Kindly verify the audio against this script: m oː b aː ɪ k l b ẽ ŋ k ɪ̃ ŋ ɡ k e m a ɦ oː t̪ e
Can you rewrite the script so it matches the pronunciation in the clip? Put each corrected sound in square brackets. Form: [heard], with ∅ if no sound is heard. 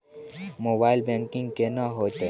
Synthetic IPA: m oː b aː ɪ [∅] l b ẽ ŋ k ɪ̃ ŋ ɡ k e [n] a ɦ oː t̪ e